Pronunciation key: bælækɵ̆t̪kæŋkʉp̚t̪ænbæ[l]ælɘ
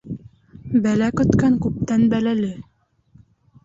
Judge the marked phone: correct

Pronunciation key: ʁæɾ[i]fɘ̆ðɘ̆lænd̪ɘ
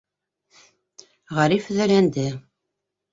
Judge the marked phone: correct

